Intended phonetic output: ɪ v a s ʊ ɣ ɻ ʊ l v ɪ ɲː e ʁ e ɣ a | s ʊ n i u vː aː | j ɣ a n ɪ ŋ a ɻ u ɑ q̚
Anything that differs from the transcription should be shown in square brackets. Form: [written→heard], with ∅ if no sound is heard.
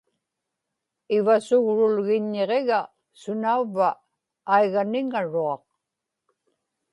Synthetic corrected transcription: ɪ v a s ʊ ɣ ɻ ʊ l [v→ɣ] ɪ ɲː e ʁ e ɣ a | s ʊ n [i→a] u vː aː | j ɣ a n ɪ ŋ a ɻ u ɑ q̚